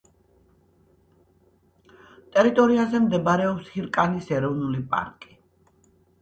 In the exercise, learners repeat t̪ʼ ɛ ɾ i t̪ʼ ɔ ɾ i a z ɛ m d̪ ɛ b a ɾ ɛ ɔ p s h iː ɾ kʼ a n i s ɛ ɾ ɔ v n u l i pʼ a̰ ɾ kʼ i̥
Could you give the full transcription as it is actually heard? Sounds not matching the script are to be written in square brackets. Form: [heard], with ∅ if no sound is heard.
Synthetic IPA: t̪ʼ ɛ ɾ i t̪ʼ ɔ ɾ i a z ɛ m d̪ ɛ b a ɾ ɛ ɔ p s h [i] ɾ kʼ a n i s ɛ ɾ ɔ v n u l i pʼ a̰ ɾ kʼ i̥